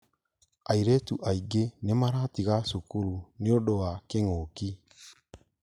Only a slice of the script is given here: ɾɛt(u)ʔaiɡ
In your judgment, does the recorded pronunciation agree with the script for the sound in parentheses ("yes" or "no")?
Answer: yes